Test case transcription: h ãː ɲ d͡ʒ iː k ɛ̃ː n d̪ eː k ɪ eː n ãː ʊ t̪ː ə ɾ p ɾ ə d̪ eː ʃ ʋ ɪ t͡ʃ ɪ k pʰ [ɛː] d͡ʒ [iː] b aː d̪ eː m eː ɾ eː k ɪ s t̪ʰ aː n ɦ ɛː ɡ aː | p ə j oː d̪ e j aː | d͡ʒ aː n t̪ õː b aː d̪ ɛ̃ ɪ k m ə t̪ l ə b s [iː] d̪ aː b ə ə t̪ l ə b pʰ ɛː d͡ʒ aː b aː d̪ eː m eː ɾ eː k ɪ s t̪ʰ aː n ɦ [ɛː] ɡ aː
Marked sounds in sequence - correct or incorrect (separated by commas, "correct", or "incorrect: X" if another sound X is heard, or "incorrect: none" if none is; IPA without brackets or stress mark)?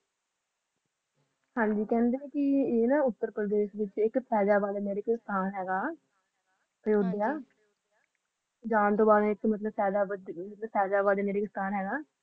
correct, incorrect: aː, incorrect: ɛː, correct